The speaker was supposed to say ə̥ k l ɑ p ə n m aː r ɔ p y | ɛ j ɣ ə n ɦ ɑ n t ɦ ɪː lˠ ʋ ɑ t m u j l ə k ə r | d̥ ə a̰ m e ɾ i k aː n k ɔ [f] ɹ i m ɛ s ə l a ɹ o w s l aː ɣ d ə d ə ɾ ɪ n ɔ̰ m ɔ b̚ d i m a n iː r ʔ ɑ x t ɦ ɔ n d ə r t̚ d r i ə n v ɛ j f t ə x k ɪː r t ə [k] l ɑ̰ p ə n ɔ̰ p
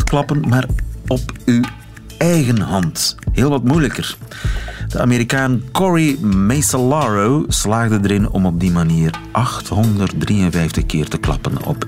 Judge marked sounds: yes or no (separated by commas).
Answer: no, yes